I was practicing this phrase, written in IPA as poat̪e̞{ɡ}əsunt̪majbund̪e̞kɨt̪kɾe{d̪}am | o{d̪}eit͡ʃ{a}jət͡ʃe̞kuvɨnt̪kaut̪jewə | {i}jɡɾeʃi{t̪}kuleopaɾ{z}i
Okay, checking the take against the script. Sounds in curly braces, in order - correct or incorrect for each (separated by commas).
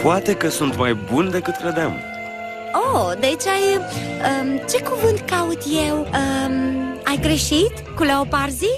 incorrect, correct, correct, correct, incorrect, correct, correct